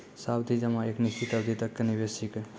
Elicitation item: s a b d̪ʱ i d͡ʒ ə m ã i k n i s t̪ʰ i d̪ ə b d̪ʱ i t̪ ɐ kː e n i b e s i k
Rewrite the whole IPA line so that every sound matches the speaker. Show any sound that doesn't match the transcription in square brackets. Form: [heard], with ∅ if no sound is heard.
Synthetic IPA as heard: s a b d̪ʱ i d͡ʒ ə m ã [e] k n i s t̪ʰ i [t̪] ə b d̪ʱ i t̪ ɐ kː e n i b e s i k